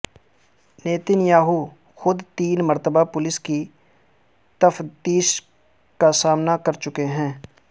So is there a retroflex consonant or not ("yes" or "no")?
no